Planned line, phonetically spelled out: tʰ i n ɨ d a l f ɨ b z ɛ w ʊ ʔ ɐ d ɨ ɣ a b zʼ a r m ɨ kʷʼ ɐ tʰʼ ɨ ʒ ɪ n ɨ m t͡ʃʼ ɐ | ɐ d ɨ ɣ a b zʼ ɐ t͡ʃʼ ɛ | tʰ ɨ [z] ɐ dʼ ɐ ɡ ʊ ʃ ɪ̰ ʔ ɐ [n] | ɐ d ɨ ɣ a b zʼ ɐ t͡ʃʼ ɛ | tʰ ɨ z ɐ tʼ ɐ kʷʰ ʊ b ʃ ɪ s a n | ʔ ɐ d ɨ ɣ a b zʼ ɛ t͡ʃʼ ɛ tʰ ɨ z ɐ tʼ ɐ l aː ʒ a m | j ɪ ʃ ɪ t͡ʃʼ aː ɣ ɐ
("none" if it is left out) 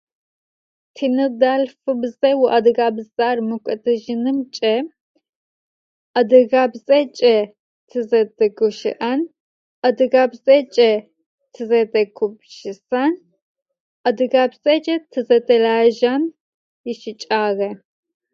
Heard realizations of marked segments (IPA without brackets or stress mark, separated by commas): z, n